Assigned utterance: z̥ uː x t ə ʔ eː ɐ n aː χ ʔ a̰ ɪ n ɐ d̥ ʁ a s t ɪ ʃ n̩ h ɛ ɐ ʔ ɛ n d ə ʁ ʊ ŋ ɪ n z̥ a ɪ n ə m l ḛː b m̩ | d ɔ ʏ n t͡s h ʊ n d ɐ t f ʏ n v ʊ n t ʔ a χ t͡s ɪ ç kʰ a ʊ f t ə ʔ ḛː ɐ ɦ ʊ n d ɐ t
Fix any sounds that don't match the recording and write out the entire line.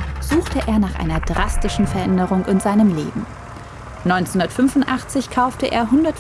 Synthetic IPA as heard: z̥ uː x t ə ʔ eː ɐ n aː χ ʔ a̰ ɪ n ɐ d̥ ʁ a s t ɪ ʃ n̩ f ɛ ɐ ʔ ɛ n d ə ʁ ʊ ŋ ɪ n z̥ a ɪ n ə m l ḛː b m̩ | n ɔ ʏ n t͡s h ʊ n d ɐ t f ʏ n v ʊ n t ʔ a χ t͡s ɪ ç kʰ a ʊ f t ə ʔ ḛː ɐ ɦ ʊ n d ɐ t